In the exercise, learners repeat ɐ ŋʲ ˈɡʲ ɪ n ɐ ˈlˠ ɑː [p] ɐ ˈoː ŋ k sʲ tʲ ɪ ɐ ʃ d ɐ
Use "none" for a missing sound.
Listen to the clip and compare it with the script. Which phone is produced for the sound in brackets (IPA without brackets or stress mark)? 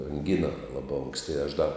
b